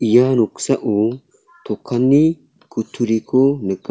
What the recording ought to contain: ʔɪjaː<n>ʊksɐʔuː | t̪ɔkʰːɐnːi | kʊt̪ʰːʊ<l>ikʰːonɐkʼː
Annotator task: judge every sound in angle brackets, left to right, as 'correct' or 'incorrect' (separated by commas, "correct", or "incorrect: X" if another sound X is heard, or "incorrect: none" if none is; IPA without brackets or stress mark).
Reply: correct, incorrect: ɾ